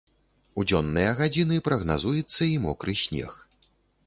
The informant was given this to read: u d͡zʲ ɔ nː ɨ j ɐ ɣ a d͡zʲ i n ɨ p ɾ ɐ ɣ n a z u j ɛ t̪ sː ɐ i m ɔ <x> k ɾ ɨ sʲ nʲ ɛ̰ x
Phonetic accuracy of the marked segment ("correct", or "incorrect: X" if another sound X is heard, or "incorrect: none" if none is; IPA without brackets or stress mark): incorrect: none